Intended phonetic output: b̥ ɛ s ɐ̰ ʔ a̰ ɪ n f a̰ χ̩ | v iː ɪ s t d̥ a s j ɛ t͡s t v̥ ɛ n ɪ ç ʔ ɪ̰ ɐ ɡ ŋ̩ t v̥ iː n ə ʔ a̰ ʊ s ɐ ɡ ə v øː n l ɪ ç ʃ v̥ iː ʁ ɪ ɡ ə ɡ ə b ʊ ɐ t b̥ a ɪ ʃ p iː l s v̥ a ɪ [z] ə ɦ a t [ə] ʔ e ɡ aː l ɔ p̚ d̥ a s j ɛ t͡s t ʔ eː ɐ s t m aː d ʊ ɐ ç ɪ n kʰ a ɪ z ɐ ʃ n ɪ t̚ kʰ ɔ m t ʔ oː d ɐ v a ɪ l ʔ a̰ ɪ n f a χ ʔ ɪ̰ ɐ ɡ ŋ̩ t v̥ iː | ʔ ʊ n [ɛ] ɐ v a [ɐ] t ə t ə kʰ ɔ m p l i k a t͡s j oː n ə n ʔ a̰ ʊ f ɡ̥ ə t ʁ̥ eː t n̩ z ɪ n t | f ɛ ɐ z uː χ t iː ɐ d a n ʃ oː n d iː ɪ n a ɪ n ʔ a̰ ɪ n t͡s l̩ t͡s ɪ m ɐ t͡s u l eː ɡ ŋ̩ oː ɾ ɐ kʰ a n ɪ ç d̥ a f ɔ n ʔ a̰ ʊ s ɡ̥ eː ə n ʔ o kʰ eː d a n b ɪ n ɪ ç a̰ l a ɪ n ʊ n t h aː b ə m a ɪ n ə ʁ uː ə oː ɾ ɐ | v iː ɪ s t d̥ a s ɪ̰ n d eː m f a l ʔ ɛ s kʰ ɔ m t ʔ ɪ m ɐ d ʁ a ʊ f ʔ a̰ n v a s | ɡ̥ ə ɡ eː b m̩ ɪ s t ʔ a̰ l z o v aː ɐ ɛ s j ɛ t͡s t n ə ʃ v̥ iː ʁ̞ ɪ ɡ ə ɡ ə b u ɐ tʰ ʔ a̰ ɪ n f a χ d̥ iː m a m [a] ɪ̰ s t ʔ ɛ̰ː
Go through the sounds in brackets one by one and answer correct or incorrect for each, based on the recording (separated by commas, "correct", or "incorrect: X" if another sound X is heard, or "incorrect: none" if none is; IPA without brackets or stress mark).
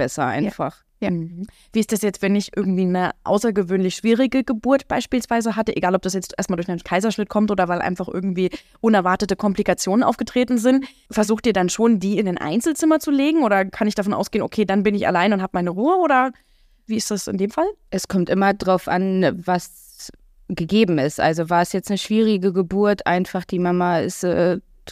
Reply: correct, correct, correct, correct, correct